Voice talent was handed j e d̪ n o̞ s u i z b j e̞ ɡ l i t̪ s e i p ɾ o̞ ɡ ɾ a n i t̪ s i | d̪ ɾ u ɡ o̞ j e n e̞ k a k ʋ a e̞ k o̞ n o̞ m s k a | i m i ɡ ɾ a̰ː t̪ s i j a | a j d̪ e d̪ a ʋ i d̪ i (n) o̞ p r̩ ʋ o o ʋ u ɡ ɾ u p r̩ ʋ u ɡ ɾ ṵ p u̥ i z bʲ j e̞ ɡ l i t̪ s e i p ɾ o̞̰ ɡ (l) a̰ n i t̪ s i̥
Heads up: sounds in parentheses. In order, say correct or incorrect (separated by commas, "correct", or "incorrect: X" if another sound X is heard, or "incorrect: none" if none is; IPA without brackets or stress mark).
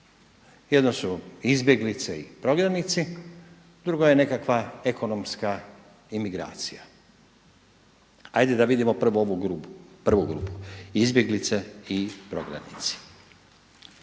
incorrect: m, incorrect: ɾ